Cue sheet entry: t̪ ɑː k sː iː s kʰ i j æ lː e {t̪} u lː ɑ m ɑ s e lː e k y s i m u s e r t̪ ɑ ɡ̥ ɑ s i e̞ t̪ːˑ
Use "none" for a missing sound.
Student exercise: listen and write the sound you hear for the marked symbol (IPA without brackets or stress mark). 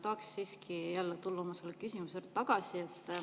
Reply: t̪